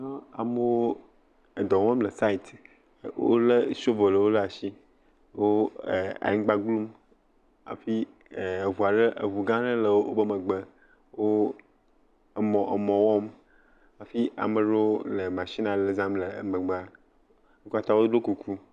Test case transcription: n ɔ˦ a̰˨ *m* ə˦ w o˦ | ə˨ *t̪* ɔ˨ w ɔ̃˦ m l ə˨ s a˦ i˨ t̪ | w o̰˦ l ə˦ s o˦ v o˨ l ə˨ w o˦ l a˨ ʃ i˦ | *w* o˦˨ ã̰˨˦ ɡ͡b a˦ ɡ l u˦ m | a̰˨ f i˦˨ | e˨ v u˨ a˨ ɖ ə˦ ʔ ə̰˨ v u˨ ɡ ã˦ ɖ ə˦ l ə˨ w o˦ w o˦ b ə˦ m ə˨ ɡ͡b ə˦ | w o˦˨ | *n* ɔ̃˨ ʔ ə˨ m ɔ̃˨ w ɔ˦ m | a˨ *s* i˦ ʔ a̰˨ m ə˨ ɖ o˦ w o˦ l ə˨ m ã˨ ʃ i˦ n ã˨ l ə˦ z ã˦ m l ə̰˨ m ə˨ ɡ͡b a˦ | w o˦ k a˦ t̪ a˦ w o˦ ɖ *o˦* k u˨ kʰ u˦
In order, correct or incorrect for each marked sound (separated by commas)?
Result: correct, incorrect, correct, incorrect, incorrect, correct